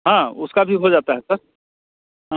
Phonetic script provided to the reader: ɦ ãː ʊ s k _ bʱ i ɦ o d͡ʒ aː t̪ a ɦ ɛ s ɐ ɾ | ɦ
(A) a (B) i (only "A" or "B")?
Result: A